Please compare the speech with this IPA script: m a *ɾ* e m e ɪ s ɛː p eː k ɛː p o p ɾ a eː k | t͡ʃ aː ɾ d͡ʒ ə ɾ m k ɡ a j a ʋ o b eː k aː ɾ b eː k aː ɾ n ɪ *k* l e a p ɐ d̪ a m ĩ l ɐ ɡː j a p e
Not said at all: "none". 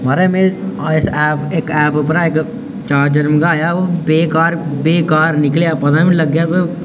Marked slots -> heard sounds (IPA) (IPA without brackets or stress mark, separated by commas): ɾ, k